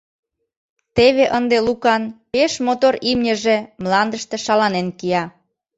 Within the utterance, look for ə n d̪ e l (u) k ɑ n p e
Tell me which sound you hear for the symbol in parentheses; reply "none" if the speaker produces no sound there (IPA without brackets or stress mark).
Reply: u